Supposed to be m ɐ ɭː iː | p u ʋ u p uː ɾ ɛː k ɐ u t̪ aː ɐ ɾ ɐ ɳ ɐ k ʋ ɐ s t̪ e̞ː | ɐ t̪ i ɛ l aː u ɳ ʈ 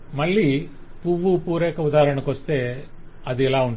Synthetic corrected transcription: m ɐ ɭː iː | p u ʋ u p uː ɾ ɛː k ɐ u d̪ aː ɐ ɾ ɐ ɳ ɐ k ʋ ɐ s t̪ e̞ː | ɐ d̪ i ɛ l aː u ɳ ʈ